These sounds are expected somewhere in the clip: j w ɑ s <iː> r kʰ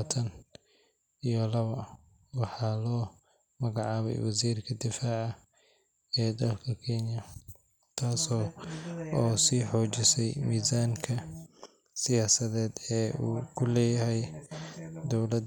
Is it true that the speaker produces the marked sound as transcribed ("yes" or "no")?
yes